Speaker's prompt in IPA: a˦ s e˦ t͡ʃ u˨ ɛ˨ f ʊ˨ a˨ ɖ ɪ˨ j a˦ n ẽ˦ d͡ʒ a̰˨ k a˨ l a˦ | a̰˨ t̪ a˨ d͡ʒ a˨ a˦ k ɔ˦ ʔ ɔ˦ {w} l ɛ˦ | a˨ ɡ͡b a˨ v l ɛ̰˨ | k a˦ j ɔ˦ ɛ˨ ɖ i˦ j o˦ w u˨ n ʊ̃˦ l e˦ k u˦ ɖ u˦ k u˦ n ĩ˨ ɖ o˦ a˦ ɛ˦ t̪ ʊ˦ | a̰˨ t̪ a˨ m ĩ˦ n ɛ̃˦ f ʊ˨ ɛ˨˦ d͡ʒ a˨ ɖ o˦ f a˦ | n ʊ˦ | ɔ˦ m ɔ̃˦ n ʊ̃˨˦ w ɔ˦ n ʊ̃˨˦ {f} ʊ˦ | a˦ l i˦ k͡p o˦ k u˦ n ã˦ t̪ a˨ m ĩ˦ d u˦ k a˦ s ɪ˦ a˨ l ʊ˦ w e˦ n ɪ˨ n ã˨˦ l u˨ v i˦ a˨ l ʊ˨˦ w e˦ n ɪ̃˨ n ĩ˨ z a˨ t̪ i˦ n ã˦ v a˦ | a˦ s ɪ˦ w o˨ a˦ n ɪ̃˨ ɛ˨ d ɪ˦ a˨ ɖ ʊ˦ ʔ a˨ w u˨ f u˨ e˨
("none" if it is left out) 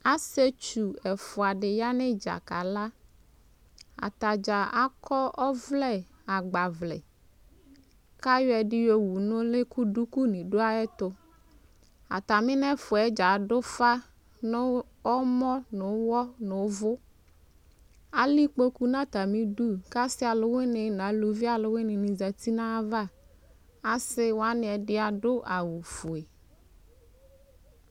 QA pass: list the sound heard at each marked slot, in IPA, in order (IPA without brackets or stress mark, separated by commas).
v, v